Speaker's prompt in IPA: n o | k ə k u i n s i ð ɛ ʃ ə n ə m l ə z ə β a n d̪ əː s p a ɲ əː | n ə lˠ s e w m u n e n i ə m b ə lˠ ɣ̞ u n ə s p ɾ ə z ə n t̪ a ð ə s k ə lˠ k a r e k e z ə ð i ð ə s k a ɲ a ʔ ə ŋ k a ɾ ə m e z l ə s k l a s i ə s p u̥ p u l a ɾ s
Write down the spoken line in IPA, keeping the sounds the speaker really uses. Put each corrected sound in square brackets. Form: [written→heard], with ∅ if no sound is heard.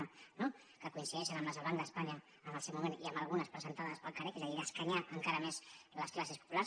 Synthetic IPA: n o | k ə k u i n s i ð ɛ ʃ ə n ə m l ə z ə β a n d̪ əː s p a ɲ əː | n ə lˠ s e w m u [n→m] e n i ə m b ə lˠ ɣ̞ u n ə s p ɾ ə z ə n t̪ a ð ə s [k→p] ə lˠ k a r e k e z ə ð i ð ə s k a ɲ a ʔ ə ŋ k a ɾ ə m e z l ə s k l a s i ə s p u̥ p u l a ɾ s